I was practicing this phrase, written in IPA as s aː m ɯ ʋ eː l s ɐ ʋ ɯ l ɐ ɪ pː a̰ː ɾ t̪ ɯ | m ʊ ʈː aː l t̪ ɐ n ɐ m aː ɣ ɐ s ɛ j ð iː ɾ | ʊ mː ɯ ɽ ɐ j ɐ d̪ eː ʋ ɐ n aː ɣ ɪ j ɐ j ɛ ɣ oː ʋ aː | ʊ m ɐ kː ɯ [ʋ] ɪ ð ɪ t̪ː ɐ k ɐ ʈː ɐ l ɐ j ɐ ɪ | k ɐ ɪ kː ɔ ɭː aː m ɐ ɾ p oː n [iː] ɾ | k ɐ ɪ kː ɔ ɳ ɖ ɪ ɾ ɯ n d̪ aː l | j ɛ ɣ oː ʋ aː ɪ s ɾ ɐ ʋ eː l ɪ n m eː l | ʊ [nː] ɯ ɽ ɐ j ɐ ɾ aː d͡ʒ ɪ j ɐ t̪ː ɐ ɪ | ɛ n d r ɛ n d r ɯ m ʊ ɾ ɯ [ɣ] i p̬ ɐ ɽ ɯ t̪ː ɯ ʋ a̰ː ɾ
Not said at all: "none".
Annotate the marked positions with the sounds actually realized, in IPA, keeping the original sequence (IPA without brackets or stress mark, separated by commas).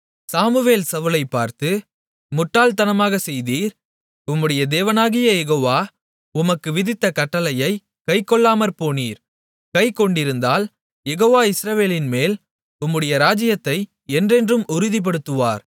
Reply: ʋ, iː, mː, ð